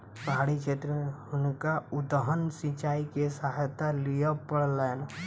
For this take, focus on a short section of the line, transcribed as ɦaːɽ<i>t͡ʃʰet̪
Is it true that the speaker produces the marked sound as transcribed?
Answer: yes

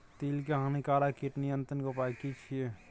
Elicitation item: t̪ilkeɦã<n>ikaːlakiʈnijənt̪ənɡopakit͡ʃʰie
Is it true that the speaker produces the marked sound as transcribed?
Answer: yes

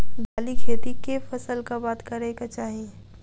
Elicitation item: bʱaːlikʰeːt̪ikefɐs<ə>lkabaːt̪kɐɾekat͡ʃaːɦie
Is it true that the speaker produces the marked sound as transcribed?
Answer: yes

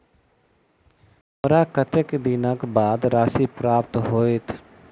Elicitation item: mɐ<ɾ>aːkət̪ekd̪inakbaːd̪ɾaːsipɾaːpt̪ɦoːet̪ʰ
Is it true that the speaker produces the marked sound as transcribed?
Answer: yes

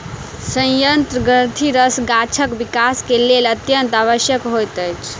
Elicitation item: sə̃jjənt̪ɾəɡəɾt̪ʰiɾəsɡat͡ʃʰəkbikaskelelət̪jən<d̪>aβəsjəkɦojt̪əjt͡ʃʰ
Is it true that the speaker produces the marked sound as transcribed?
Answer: no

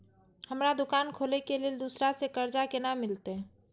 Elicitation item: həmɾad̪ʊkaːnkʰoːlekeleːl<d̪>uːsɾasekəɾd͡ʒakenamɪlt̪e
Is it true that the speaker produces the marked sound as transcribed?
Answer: yes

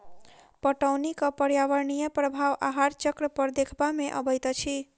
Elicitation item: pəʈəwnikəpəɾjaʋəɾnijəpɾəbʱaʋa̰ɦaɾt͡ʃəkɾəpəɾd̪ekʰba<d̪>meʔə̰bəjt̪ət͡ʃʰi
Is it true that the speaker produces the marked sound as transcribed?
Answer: no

